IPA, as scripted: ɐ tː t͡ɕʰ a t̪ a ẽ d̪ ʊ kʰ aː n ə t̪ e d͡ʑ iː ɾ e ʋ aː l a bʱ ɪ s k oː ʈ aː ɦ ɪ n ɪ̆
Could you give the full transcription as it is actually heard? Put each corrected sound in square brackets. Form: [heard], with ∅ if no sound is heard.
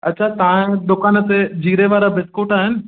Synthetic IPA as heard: ɐ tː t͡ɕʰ a t̪ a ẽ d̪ ʊ [k] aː n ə t̪ e d͡ʑ iː ɾ e ʋ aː [ɾ] a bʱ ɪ s k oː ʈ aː ɦ ɪ n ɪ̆